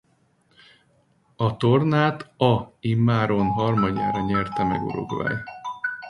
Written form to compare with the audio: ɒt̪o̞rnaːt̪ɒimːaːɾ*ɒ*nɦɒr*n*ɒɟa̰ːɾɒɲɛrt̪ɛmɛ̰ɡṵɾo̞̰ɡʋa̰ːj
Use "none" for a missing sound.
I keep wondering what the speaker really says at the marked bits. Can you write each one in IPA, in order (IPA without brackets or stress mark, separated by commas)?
o, m